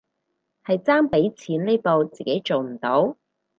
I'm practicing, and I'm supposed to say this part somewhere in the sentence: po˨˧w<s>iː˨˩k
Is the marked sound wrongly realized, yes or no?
yes